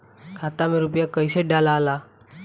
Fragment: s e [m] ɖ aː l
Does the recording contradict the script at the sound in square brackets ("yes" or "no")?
yes